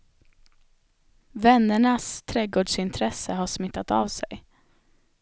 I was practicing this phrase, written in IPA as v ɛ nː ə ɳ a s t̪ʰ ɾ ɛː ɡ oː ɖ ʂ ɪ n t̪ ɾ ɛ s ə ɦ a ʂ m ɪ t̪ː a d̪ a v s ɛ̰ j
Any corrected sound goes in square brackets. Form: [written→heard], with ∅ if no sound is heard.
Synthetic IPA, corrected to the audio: v ɛ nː ə ɳ a s t̪ʰ ɾ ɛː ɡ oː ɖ ʂ ɪ n [t̪→t̪ʰ] ɾ ɛ s ə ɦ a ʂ m ɪ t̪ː a [d̪→t̪] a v s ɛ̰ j